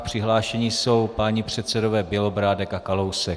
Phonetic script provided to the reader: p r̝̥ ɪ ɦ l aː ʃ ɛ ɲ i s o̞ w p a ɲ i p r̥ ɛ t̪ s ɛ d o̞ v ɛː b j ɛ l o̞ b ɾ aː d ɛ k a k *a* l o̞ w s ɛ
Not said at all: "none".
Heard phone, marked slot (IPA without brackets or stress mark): a